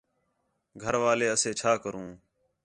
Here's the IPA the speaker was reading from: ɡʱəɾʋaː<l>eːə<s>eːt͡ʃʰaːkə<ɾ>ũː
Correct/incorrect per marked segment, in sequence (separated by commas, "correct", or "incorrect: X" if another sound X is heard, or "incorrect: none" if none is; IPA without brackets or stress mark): correct, correct, correct